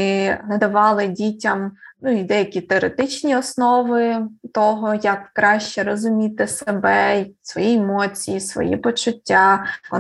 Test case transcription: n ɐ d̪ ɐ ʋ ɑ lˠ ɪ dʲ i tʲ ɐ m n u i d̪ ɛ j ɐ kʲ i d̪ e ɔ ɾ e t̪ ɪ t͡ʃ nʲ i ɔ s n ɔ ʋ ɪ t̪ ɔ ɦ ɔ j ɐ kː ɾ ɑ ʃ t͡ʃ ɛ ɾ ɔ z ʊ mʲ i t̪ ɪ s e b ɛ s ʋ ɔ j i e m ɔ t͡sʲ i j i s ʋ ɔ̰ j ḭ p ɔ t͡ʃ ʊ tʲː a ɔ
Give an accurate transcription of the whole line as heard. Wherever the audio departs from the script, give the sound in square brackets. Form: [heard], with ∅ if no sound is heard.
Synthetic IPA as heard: n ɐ d̪ ɐ ʋ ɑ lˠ ɪ dʲ i tʲ ɐ m n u i d̪ ɛ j ɐ kʲ i [t̪] e ɔ ɾ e t̪ ɪ t͡ʃ nʲ i ɔ s n ɔ ʋ ɪ t̪ ɔ ɦ ɔ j ɐ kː ɾ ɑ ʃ t͡ʃ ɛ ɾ ɔ z ʊ mʲ i t̪ ɪ s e b ɛ s ʋ ɔ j i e m ɔ t͡sʲ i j i s ʋ ɔ̰ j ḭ p ɔ t͡ʃ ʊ tʲː a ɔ